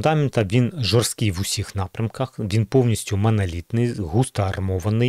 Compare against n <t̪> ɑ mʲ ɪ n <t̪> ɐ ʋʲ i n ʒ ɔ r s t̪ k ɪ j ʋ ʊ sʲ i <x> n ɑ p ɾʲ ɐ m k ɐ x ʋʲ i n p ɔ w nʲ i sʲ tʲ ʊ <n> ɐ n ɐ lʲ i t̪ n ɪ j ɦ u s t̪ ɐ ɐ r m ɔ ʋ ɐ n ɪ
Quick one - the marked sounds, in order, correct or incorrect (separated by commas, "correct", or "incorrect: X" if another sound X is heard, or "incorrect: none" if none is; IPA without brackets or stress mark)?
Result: incorrect: d̪, correct, correct, incorrect: m